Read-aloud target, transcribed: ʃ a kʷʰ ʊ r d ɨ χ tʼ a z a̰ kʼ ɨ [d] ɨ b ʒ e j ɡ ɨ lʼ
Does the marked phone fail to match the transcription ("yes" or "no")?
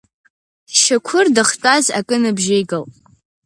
yes